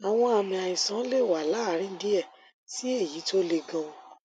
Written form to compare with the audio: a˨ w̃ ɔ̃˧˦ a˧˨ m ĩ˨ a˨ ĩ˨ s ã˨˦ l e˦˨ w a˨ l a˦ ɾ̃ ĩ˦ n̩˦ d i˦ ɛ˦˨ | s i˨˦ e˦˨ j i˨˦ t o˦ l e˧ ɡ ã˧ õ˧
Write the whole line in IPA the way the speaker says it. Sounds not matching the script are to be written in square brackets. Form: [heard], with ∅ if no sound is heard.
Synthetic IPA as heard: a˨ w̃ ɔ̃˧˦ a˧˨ m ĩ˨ a˨ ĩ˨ s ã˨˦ l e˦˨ w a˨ l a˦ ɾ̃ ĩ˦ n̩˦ d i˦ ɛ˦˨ | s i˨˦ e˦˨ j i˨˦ t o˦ l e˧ ɡ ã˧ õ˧